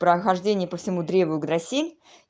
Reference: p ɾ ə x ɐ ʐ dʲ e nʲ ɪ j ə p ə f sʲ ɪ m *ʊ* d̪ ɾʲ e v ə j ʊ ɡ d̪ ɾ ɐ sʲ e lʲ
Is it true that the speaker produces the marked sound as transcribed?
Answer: no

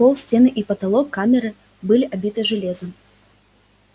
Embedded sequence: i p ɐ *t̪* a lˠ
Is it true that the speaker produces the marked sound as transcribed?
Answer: yes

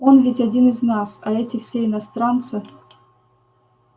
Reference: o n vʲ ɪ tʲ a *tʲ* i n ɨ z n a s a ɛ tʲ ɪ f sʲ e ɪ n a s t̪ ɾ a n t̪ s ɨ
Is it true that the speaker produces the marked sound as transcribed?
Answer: no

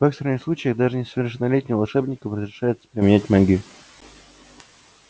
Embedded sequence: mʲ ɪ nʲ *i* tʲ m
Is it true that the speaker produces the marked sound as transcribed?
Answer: no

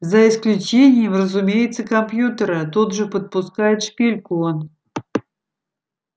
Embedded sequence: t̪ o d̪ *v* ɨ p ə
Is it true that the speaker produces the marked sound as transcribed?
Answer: no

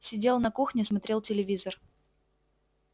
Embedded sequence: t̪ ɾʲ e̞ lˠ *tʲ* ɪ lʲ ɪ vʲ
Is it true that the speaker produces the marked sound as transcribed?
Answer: yes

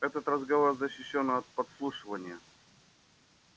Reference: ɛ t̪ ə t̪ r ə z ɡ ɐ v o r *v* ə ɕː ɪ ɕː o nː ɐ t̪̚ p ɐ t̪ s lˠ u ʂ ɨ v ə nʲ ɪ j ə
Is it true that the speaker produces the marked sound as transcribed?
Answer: no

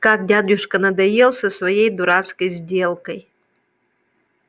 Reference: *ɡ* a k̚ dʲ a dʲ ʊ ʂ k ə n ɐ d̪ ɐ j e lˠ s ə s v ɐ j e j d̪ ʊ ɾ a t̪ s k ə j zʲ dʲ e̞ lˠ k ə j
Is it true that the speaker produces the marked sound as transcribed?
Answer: no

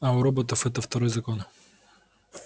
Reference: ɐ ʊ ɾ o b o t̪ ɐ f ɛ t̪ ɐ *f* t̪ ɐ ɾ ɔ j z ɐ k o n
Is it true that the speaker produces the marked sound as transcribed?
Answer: yes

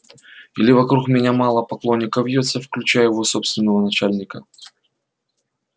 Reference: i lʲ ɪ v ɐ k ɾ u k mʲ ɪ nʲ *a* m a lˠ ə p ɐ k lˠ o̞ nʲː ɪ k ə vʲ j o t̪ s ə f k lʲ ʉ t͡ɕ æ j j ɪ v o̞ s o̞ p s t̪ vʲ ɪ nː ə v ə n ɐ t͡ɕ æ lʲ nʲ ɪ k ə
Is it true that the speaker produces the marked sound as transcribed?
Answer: yes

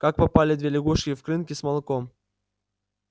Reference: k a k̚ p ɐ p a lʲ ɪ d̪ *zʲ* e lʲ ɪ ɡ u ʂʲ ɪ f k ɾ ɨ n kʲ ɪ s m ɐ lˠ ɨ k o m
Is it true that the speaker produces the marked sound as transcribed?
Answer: no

